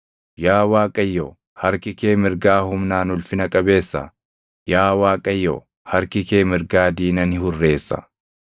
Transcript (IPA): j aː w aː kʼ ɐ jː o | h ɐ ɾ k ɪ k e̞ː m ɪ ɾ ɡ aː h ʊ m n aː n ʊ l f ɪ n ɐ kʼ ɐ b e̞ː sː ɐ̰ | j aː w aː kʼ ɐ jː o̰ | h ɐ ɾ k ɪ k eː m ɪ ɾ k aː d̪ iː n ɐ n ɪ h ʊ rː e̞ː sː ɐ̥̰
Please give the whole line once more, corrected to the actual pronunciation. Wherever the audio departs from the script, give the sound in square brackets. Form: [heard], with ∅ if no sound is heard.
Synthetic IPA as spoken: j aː w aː kʼ ɐ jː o | h ɐ ɾ k ɪ k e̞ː m ɪ ɾ ɡ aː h ʊ m n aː n ʊ l f ɪ n ɐ kʼ ɐ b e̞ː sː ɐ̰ | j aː w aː kʼ ɐ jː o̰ | h ɐ ɾ k ɪ k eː m ɪ ɾ [ɡ] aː d̪ iː n ɐ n ɪ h ʊ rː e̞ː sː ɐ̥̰